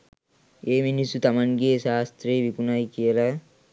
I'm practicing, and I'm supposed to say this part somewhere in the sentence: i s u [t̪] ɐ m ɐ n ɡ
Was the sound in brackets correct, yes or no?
yes